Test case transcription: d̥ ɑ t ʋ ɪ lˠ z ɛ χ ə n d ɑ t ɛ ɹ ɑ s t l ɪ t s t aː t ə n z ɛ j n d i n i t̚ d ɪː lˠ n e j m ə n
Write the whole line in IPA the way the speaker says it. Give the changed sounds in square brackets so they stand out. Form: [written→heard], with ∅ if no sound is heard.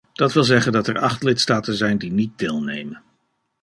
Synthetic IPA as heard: d̥ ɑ t ʋ ɪ lˠ z ɛ χ ə n d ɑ t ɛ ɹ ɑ [s→χ] t l ɪ t s t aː t ə n z ɛ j n d i n i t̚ d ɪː lˠ n e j m ə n